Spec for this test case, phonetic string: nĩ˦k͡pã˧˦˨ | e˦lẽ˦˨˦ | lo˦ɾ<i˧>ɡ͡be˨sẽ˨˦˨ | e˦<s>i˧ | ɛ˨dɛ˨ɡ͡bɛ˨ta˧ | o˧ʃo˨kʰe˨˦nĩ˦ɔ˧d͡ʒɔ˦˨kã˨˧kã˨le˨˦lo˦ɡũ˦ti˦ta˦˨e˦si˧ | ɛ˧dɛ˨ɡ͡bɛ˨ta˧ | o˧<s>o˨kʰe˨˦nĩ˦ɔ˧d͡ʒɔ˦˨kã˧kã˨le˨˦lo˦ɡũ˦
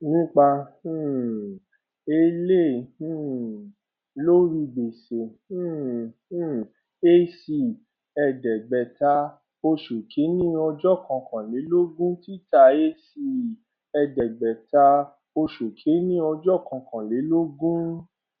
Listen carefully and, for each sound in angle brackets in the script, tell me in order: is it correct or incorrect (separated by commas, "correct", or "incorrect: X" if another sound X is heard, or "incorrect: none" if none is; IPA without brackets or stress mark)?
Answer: correct, correct, incorrect: ʃ